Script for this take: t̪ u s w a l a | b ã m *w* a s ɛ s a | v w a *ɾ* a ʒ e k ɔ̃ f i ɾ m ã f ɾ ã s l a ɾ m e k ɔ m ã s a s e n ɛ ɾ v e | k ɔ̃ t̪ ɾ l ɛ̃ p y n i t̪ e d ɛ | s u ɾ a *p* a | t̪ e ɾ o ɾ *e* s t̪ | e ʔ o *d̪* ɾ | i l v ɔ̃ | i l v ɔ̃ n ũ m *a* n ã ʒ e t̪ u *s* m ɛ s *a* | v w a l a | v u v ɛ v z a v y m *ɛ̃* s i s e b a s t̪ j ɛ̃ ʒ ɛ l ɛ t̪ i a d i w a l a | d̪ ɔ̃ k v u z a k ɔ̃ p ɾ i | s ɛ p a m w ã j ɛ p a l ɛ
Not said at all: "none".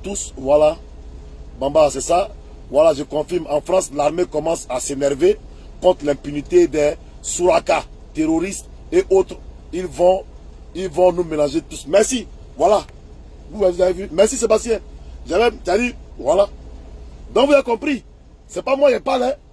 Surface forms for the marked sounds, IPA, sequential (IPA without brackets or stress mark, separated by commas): b, l, k, i, t̪, e, s, i, ɛ